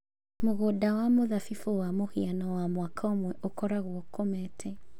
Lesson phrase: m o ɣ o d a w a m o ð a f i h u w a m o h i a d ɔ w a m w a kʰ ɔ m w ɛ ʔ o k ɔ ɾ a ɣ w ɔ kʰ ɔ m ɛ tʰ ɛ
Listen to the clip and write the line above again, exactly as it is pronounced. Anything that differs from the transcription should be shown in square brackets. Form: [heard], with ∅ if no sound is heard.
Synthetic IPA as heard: m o ɣ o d a w a m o ð a f i [f] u w a m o h i a [n] ɔ w a m w a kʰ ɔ m w ɛ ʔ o k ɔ ɾ a ɣ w ɔ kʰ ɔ m ɛ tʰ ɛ